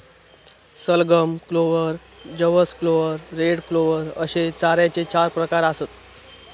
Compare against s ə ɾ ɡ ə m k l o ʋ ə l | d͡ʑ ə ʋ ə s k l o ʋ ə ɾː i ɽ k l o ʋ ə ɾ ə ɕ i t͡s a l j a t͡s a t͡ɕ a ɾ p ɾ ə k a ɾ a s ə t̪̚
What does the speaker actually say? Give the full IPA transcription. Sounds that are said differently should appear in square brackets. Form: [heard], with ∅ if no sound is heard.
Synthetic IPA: s ə [l] ɡ ə m k l o ʋ ə [ɾ] | d͡ʑ ə ʋ ə s k l o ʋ ə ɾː [e] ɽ k l o ʋ ə ɾ ə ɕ [e] t͡s a [ɾ] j a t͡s [e] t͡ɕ a ɾ p ɾ ə k a ɾ a s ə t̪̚